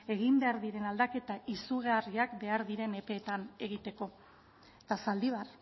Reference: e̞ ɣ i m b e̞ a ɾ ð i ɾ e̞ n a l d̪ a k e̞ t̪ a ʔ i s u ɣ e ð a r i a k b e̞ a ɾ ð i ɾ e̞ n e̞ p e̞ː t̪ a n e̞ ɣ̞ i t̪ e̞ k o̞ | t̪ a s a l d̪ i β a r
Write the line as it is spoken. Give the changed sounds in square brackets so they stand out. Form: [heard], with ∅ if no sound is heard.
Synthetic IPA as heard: e̞ ɣ i m b e̞ a ɾ ð i ɾ e̞ n a l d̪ a k e̞ t̪ a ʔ i s u ɣ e [∅] a r i a k b e̞ a ɾ ð i ɾ e̞ n e̞ p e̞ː t̪ a n e̞ ɣ̞ i t̪ e̞ k o̞ | t̪ a s a l d̪ i β a r